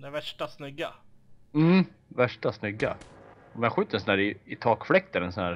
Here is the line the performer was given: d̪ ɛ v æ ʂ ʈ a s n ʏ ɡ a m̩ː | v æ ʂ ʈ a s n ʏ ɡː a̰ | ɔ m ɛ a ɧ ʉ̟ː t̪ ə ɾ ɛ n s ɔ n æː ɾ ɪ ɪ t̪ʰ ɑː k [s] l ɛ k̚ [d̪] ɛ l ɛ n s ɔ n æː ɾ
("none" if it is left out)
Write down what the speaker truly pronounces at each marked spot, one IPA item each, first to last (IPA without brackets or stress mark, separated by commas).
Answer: f, t̪